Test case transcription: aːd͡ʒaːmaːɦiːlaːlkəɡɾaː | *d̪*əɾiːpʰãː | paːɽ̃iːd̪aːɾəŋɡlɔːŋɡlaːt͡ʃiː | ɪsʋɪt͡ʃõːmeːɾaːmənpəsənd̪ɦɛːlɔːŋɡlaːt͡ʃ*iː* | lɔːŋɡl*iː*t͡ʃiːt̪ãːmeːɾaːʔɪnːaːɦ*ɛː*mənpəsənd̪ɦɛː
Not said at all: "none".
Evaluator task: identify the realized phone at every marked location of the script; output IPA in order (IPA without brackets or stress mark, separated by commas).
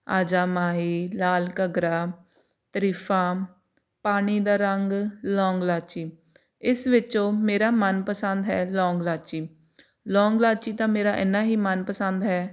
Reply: t̪, iː, aː, iː